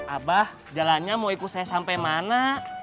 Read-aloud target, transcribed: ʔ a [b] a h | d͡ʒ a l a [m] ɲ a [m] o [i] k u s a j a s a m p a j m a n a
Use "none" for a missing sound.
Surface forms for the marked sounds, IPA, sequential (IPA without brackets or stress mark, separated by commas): b, n, m, i